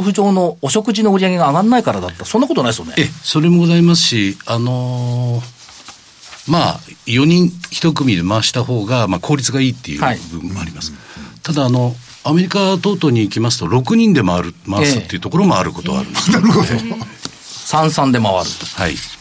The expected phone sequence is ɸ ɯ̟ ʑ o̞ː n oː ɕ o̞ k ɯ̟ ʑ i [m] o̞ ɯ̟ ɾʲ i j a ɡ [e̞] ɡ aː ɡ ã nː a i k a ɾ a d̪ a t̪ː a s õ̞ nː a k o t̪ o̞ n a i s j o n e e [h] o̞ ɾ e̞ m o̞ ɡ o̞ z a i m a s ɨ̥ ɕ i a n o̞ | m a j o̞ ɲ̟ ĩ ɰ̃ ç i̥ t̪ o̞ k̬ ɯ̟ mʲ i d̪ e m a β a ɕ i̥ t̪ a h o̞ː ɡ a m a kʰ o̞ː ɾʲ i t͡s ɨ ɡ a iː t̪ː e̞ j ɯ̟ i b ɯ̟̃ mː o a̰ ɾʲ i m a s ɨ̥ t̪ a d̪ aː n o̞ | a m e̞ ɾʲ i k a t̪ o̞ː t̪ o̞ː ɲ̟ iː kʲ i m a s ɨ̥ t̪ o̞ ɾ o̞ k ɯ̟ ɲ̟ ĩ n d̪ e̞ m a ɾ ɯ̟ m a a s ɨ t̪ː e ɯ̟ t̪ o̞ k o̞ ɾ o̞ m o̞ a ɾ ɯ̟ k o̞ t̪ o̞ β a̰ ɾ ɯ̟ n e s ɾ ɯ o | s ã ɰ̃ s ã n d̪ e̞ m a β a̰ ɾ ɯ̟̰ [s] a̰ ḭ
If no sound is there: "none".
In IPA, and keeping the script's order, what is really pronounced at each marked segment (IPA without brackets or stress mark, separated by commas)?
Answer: n, e̞, s, h